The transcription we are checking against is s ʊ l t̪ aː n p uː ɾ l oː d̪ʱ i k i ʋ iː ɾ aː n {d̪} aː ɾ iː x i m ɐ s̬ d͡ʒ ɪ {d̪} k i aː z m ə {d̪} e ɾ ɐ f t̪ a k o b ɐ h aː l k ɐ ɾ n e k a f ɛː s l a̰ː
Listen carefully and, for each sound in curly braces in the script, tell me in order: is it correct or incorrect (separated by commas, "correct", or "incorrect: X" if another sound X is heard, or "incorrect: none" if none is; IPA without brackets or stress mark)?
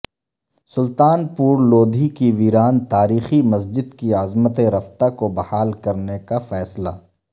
incorrect: t̪, correct, incorrect: t̪